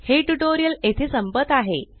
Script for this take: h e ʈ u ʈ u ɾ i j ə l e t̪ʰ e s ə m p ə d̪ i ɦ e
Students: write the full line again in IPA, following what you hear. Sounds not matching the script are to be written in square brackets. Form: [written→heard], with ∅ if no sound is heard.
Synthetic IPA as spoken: h e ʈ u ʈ [u→o] ɾ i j ə l e t̪ʰ e s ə m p ə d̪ [i→a] ɦ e

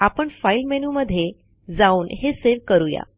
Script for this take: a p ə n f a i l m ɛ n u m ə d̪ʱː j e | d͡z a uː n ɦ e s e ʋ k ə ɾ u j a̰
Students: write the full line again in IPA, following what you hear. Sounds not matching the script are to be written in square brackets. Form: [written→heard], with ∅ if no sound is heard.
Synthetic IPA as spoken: a p ə [n→ɳ] f a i l m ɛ n u m ə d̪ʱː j e | d͡z a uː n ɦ e s e ʋ k ə ɾ u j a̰

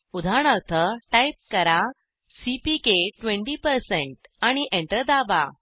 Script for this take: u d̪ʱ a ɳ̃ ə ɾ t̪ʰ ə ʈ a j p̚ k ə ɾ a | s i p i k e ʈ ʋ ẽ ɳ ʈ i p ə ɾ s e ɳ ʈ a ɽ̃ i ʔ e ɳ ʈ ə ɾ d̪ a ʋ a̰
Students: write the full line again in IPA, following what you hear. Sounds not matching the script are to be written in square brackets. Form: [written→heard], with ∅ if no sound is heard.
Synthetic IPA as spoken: u d̪ʱ a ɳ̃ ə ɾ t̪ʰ ə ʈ a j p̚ k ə ɾ a | s i p i k e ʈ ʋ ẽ ɳ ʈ i p ə ɾ s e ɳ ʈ a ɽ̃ i ʔ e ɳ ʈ ə ɾ d̪ a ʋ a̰

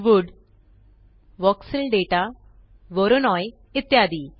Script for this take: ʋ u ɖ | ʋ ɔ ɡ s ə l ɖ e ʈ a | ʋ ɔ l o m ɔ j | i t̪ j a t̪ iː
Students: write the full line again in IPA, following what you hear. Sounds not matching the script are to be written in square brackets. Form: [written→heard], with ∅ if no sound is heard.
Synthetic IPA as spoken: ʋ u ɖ | ʋ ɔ [ɡ→k] s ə l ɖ e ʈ a | ʋ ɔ [l→ɾ] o [m→n] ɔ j | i t̪ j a [t̪→d̪] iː

